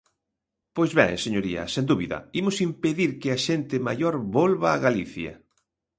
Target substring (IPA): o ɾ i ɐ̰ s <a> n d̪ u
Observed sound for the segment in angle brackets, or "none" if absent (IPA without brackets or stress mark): e